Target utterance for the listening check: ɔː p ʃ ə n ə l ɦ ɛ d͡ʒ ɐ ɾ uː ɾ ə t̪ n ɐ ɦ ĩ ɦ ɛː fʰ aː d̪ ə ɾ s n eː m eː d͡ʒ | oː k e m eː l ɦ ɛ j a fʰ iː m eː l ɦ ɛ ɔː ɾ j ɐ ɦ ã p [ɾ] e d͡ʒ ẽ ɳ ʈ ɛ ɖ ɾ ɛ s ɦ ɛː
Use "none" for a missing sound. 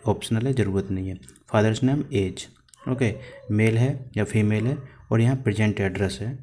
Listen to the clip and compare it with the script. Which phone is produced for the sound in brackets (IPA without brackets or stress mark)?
ɾ